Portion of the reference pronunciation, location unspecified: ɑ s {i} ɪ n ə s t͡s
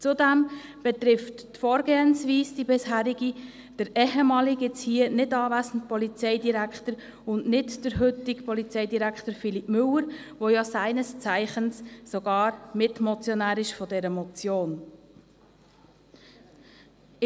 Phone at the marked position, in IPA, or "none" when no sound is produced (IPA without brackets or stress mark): æ